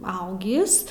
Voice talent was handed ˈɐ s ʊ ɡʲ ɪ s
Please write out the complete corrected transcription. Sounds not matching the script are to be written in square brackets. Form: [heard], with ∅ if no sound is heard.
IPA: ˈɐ [∅] ʊ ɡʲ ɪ s